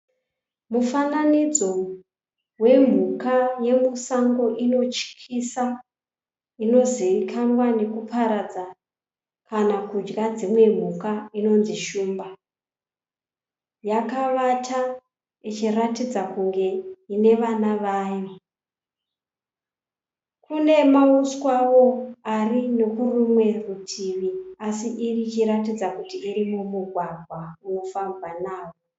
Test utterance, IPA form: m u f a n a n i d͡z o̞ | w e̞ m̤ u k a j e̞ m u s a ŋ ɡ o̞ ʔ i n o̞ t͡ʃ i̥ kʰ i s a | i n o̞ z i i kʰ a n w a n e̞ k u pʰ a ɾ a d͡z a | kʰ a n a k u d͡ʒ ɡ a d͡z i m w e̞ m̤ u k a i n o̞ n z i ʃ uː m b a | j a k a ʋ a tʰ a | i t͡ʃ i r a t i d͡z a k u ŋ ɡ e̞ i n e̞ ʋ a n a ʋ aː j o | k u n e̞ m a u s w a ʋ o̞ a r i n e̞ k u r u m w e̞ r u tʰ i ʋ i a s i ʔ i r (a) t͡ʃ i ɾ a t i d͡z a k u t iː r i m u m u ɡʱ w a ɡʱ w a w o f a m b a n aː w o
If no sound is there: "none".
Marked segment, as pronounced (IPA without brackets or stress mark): i